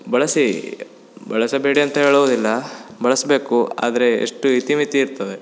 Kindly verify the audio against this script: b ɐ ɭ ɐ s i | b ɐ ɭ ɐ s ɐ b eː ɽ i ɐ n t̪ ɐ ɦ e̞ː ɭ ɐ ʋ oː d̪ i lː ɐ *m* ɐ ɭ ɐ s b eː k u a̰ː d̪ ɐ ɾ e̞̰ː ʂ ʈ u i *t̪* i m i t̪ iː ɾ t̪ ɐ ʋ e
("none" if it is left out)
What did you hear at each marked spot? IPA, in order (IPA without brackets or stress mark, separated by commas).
b, t̪